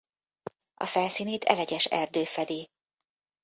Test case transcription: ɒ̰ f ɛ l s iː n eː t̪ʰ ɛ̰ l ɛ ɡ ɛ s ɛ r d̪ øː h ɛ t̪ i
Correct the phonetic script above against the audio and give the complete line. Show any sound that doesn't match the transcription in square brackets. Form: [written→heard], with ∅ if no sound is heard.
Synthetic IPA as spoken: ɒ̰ f ɛ l s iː n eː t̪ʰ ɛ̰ l ɛ [ɡ→ɟ] ɛ [s→ʃ] ɛ r d̪ øː [h→f] ɛ [t̪→d̪] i